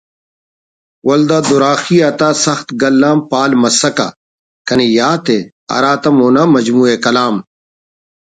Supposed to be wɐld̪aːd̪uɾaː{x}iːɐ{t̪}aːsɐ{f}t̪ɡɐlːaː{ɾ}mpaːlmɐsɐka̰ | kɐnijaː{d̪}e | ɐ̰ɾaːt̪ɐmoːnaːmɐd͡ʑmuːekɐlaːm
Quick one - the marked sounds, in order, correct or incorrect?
correct, correct, incorrect, incorrect, incorrect

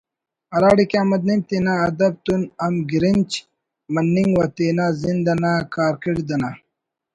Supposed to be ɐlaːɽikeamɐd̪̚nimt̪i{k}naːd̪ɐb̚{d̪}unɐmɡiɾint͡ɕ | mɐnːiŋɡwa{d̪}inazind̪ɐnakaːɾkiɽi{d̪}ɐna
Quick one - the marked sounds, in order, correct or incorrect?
incorrect, incorrect, incorrect, correct

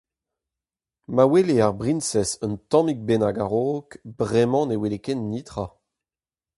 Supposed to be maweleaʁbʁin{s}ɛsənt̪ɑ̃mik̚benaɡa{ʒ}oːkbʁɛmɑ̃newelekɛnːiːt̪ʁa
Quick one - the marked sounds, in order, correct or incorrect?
correct, incorrect

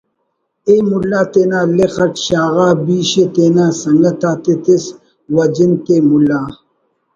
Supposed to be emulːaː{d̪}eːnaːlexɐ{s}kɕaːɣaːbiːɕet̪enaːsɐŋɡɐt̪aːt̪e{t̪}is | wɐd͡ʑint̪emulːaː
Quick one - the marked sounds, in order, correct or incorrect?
incorrect, incorrect, correct

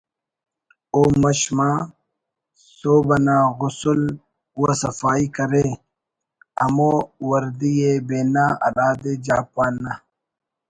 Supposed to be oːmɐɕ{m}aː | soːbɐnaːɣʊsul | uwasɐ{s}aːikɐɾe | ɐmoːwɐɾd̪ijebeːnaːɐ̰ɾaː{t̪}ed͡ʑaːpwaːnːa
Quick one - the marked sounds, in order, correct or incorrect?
correct, incorrect, incorrect

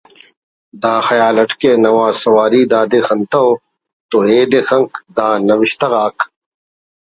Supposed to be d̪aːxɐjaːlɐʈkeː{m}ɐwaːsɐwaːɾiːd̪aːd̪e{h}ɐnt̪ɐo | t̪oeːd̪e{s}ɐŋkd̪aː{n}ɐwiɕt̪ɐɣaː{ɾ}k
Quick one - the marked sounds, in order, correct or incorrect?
incorrect, incorrect, incorrect, correct, incorrect

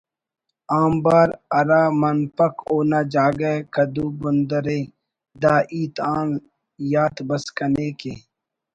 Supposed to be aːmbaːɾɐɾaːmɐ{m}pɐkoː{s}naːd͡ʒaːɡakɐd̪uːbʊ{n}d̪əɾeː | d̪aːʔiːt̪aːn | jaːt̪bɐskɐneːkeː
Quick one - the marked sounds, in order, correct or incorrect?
incorrect, incorrect, correct

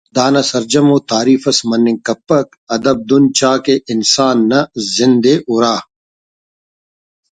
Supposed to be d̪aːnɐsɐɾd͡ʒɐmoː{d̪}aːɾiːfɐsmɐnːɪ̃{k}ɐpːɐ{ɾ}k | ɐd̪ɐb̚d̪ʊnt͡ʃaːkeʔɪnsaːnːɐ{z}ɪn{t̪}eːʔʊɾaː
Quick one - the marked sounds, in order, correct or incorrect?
incorrect, correct, incorrect, correct, incorrect

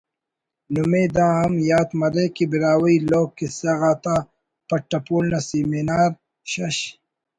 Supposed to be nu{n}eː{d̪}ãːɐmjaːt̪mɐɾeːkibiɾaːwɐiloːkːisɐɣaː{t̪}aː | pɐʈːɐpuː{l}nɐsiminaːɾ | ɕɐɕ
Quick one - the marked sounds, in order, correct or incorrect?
incorrect, correct, correct, correct

